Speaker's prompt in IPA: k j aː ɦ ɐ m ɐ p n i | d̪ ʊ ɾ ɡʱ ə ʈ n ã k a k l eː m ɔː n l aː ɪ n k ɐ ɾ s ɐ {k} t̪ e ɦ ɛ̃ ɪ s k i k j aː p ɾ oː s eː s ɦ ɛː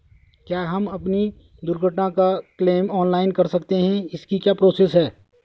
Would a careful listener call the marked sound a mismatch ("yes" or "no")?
no